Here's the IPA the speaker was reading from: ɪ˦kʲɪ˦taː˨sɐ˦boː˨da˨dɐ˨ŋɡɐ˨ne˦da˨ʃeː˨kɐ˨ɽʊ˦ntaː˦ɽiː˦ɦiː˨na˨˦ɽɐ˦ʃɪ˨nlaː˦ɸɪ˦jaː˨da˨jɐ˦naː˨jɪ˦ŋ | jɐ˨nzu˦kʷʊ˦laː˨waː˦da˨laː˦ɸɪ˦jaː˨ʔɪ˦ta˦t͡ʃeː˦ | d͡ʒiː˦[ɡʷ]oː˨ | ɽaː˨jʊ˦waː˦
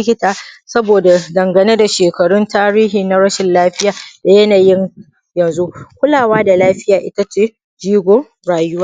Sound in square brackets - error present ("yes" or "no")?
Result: no